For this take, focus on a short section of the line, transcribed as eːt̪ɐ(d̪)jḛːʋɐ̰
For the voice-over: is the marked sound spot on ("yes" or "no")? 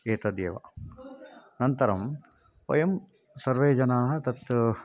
yes